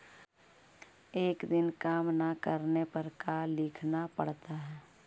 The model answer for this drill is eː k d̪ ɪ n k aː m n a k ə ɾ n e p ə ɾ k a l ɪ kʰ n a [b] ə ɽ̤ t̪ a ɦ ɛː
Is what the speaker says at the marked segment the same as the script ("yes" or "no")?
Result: no